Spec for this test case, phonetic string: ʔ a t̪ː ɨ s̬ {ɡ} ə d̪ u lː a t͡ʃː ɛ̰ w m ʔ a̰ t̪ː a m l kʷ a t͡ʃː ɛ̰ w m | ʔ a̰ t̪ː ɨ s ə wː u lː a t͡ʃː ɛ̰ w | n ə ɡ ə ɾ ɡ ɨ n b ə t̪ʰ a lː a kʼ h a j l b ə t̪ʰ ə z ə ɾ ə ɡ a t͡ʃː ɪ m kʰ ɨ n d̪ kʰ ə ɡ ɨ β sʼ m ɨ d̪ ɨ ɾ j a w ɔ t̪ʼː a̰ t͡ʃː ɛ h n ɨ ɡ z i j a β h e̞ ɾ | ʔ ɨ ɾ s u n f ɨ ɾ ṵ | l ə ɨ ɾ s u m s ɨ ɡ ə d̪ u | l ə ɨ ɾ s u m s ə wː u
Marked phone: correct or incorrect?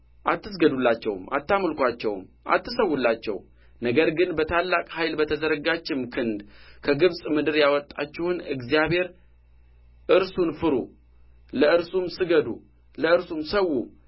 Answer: correct